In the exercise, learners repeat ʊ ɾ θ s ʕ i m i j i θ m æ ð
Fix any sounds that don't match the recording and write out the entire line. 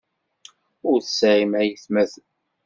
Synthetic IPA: ʊ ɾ θ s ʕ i m æ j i θ m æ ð